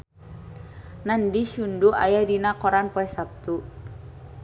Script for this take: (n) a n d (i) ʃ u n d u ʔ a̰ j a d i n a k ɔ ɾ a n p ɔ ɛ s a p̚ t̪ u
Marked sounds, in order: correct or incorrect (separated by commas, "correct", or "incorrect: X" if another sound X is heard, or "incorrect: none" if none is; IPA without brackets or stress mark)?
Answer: correct, correct